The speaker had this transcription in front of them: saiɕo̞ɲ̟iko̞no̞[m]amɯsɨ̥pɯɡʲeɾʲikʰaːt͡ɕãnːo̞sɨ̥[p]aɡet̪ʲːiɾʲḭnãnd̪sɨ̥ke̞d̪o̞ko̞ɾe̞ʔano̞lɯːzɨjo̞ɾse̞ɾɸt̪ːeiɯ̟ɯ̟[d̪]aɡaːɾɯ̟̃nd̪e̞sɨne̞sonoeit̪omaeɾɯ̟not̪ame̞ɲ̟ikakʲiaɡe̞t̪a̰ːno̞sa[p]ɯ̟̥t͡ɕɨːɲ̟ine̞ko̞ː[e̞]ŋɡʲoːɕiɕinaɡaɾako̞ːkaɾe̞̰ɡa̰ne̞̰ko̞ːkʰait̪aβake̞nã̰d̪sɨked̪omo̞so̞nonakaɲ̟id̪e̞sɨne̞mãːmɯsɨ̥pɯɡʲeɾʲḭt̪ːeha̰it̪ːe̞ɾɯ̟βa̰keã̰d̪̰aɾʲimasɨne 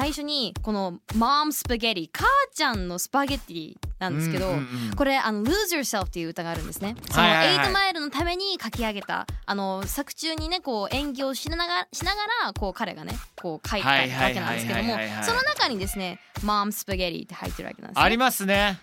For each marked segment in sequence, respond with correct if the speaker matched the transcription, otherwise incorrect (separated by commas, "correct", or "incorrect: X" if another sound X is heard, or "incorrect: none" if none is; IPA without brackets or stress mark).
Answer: correct, correct, incorrect: t̪, incorrect: k, incorrect: ẽ̞